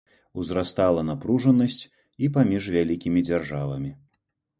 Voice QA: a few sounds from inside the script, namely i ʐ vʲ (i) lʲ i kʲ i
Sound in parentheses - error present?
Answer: yes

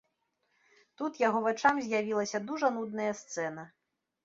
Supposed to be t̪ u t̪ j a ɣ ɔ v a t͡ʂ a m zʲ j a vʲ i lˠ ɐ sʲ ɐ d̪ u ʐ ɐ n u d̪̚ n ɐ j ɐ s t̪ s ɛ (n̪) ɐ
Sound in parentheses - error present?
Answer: no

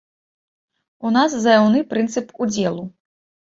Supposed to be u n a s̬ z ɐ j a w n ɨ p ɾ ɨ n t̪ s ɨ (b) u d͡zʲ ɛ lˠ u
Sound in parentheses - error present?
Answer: yes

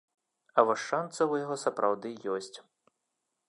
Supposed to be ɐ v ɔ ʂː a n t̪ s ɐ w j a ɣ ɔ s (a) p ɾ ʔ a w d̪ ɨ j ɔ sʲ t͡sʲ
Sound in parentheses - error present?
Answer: yes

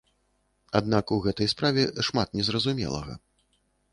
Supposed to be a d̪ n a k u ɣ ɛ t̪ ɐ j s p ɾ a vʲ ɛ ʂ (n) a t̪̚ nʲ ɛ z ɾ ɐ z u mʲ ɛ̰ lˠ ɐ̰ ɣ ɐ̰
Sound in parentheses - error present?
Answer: yes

